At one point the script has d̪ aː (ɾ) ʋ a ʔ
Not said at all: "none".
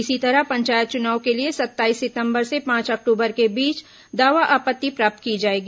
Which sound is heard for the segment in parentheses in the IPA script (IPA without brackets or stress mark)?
none